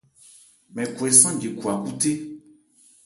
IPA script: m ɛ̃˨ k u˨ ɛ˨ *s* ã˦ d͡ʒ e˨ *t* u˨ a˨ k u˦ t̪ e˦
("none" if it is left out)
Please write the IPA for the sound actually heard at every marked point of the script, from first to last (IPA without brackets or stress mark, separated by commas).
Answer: s, k